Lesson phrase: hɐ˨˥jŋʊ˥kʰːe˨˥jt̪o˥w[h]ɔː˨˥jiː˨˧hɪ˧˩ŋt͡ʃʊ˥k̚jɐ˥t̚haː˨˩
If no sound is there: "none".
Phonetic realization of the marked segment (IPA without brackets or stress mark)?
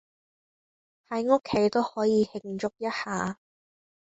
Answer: h